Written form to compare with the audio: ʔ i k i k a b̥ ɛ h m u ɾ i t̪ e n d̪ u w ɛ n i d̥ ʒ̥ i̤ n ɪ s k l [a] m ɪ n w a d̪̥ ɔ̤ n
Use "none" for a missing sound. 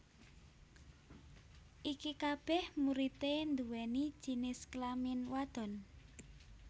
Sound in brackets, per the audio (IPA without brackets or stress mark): a